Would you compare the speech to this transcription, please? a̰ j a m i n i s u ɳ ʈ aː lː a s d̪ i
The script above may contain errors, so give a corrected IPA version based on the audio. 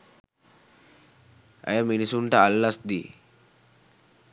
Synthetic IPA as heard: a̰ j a m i n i s u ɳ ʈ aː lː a s d̪ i